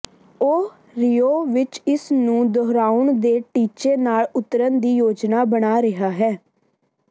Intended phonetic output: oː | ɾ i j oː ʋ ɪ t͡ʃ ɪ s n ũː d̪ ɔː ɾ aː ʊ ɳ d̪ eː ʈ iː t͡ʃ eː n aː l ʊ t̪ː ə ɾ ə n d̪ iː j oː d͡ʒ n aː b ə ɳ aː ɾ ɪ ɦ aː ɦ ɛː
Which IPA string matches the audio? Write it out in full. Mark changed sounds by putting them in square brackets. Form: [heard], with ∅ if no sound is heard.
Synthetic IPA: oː | ɾ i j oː ʋ ɪ t͡ʃ ɪ s n ũː d̪ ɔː ɾ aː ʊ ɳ d̪ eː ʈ iː t͡ʃ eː n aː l ʊ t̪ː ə ɾ ə n d̪ iː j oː d͡ʒ n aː b ə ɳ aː ɾ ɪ ɦ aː ɦ ɛː